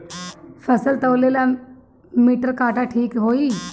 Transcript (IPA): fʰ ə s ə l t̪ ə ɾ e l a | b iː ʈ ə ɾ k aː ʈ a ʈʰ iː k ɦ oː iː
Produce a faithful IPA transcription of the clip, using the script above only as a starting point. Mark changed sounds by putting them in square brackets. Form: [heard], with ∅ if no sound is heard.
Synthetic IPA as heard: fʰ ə s ə l t̪ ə [l] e l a | [m] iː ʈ ə ɾ k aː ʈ a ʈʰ iː k ɦ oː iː